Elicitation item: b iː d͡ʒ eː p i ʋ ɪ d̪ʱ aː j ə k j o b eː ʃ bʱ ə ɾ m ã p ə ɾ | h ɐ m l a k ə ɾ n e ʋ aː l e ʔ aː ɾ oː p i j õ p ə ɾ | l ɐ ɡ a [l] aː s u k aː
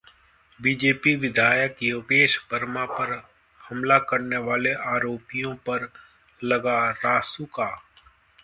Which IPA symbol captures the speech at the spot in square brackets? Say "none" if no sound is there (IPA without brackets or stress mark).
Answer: ɾ